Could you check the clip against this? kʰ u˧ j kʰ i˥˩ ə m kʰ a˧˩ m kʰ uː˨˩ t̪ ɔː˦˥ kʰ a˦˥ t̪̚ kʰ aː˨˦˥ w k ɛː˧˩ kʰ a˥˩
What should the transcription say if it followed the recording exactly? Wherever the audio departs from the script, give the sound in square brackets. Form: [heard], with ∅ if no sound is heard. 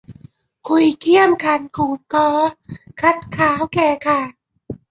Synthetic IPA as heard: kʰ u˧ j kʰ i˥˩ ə m kʰ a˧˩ [n] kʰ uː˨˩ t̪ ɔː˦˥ kʰ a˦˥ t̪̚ kʰ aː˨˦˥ w k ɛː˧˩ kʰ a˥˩